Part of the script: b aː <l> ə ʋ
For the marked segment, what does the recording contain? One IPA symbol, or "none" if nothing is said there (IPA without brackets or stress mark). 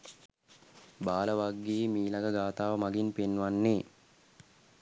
l